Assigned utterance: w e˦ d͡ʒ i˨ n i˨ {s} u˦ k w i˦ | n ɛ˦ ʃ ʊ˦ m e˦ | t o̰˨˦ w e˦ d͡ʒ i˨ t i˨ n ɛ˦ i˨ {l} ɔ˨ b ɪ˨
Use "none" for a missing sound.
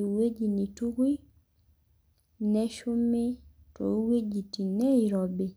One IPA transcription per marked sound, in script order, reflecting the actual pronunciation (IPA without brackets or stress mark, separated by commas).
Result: t, ɾ